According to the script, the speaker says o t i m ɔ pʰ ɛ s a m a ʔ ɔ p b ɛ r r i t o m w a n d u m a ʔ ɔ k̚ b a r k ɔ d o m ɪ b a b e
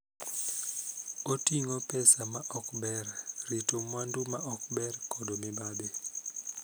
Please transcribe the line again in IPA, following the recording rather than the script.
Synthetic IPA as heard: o t i ŋ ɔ p ɛ s a m a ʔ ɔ k b ɛ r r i t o m w a n d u m a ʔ ɔ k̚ b ɛ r k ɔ d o m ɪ b a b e